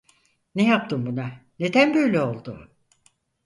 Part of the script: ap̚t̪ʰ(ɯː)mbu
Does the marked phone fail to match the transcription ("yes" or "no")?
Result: yes